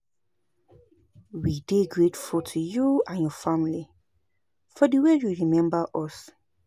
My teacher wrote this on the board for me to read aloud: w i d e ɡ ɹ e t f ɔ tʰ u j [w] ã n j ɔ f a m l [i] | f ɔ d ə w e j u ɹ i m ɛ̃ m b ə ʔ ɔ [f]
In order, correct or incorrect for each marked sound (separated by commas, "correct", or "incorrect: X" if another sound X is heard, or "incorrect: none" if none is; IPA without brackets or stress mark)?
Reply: incorrect: u, correct, incorrect: s